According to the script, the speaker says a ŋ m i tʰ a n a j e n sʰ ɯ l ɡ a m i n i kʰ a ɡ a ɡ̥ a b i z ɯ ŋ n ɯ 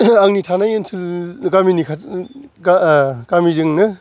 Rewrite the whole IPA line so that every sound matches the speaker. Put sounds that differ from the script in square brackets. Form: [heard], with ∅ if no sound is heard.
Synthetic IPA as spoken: a ŋ [n] i tʰ a n a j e n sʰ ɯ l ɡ a m i n i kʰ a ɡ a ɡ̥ a [m] i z ɯ ŋ n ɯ

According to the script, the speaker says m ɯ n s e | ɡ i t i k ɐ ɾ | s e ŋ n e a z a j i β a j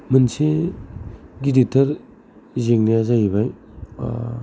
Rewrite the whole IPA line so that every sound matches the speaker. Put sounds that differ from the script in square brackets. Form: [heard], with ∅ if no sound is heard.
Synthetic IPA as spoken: m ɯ n s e | ɡ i [d] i [t] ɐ ɾ | [z] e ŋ n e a z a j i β a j

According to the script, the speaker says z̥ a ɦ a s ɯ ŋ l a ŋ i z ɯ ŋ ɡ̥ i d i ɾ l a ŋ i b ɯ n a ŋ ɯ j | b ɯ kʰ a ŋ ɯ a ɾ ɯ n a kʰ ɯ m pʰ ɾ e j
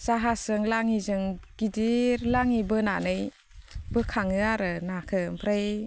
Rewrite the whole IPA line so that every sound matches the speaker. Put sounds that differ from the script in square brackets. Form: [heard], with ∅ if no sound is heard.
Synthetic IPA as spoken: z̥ a ɦ a s ɯ ŋ l a ŋ i z ɯ ŋ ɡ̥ i d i ɾ l a ŋ i b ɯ n a [n] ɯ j | b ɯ kʰ a ŋ ɯ a ɾ ɯ n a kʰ ɯ m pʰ ɾ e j

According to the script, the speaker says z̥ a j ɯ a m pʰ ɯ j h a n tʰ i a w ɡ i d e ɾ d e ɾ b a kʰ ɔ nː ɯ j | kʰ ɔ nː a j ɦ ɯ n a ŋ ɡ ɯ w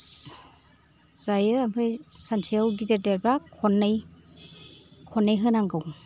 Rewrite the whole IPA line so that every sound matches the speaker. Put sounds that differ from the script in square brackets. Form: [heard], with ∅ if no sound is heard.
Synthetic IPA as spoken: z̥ a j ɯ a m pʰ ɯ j [s] a n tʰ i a w ɡ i d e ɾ d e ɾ b a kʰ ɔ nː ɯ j | kʰ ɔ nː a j ɦ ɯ n a ŋ ɡ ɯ w

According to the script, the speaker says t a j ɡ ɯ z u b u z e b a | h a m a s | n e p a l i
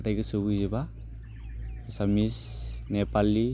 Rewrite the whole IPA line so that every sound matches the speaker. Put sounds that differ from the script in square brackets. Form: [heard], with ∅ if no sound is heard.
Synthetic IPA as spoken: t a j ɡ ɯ [s] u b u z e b a | [s] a m [i] s | n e p a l i

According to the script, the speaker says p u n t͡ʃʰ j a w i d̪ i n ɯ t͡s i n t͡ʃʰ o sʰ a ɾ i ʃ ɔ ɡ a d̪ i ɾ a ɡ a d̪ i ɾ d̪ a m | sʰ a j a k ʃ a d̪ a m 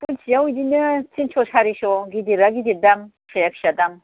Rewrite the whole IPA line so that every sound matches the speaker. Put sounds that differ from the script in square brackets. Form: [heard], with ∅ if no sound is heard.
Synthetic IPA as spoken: p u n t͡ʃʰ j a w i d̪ i n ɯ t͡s i n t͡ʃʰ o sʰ a ɾ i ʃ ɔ ɡ [i] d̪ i ɾ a ɡ [i] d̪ i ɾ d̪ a m | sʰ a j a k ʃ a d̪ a m

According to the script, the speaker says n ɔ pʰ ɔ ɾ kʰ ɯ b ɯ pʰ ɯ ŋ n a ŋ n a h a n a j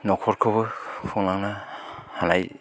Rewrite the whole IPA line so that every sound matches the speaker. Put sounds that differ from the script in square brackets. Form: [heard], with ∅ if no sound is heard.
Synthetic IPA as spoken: n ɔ [kʰ] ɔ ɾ kʰ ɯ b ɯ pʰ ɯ ŋ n a ŋ n a h a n a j

